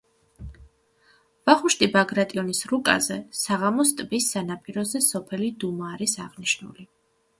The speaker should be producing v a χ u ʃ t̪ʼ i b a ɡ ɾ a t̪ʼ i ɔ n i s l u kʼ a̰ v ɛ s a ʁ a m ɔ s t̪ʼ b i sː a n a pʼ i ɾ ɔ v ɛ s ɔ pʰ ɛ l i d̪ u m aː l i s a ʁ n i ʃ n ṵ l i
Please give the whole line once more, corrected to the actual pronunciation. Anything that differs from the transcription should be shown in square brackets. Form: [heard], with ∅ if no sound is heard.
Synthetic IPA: v a χ u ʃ t̪ʼ i b a ɡ ɾ a t̪ʼ i ɔ n i s [ɾ] u kʼ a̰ [z] ɛ s a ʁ a m ɔ s t̪ʼ b i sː a n a pʼ i ɾ ɔ [z] ɛ s ɔ pʰ ɛ l i d̪ u m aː [ɾ] i s a ʁ n i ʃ n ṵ l i